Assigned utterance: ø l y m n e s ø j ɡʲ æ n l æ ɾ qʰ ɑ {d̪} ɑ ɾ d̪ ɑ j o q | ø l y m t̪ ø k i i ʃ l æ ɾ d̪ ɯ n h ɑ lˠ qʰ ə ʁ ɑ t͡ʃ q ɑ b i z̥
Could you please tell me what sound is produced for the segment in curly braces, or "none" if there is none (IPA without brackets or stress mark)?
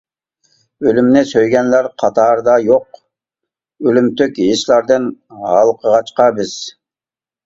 t̪